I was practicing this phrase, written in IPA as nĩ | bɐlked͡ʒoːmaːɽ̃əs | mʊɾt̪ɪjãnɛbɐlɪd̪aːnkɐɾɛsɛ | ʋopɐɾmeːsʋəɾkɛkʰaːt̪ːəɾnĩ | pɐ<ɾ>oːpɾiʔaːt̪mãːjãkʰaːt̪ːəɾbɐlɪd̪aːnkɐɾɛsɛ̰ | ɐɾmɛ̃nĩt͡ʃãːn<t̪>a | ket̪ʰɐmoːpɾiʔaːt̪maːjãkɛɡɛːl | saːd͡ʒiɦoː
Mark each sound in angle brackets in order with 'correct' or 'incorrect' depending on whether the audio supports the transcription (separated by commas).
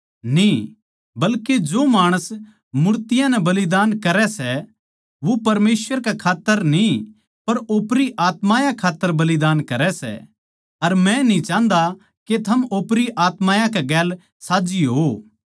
correct, incorrect